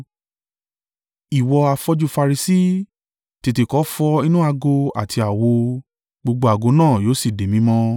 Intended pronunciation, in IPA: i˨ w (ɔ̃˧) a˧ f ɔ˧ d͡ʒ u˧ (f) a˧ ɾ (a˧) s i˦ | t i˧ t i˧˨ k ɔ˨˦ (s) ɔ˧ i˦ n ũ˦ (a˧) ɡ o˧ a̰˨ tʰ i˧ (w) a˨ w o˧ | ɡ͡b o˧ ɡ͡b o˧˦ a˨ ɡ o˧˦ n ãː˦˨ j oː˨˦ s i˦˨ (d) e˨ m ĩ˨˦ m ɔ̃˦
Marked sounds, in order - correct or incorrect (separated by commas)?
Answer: incorrect, correct, incorrect, incorrect, correct, incorrect, correct